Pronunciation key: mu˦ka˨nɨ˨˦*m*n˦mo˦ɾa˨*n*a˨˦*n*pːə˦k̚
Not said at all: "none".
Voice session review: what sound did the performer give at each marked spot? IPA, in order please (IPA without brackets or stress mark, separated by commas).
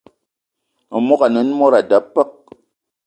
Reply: none, d, none